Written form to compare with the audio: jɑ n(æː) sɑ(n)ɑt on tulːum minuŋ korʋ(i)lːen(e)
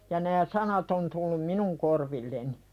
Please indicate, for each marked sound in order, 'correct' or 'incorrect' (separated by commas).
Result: correct, correct, correct, incorrect